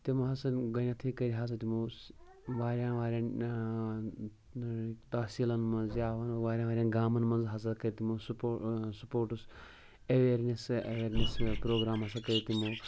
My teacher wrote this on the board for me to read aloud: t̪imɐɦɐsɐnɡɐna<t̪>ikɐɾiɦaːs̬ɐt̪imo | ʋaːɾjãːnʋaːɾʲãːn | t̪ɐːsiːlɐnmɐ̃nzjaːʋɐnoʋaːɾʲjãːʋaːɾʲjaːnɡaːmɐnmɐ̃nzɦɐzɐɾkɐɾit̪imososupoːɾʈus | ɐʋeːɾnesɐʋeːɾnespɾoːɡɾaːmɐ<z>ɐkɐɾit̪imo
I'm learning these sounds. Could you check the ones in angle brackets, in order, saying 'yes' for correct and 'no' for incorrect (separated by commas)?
no, no